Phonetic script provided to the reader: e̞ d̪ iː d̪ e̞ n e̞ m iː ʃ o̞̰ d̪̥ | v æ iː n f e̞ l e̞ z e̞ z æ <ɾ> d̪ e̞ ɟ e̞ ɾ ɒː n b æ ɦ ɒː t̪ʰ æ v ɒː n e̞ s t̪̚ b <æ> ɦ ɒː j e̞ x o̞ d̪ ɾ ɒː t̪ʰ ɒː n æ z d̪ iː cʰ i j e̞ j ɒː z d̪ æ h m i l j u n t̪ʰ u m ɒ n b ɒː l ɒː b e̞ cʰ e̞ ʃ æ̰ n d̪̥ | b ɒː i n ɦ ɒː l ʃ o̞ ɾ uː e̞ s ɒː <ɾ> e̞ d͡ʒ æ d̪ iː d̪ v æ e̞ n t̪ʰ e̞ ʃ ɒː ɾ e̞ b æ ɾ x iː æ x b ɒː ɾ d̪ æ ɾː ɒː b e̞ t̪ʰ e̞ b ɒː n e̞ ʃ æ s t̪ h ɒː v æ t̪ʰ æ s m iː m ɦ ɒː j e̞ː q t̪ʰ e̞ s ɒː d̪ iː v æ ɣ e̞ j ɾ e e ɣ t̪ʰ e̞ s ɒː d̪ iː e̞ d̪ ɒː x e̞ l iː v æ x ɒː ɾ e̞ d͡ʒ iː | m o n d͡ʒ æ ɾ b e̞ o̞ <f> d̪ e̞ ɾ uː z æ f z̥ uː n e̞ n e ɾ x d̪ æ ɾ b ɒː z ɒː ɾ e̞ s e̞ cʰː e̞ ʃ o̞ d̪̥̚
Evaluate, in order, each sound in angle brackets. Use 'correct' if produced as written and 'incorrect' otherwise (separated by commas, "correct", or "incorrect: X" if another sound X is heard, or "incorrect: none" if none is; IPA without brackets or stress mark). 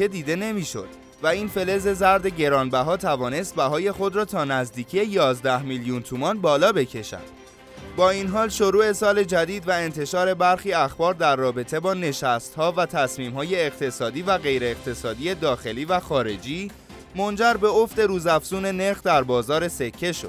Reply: correct, correct, incorrect: l, correct